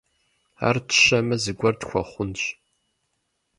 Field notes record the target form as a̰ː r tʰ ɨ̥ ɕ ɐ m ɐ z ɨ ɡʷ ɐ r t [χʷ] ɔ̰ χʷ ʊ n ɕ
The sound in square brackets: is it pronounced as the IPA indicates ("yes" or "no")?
no